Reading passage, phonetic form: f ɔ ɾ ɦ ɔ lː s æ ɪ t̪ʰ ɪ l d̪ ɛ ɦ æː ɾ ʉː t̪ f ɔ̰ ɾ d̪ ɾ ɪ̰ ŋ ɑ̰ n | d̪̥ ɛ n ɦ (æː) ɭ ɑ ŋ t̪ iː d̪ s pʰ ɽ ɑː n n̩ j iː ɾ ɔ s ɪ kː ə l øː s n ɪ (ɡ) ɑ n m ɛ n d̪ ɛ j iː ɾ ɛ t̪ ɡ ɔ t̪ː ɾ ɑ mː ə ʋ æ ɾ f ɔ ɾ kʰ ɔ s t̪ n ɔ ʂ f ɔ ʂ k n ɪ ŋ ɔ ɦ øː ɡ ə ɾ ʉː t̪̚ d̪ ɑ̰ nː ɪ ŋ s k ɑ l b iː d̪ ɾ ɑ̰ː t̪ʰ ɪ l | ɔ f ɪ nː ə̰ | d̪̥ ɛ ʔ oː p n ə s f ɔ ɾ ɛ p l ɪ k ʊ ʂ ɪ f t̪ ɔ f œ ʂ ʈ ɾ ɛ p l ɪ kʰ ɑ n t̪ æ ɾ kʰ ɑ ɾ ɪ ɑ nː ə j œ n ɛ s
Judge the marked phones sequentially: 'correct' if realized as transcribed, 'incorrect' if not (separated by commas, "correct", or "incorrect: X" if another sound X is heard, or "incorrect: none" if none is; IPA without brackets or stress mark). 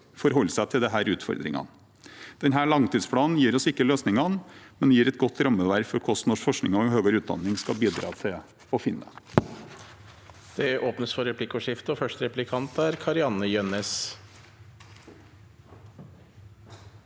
correct, incorrect: ŋ